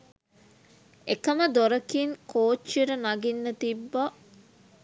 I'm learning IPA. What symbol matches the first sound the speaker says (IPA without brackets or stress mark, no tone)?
e